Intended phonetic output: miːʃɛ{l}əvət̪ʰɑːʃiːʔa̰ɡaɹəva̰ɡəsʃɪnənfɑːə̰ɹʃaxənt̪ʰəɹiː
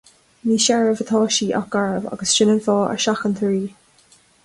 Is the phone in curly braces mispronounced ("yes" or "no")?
yes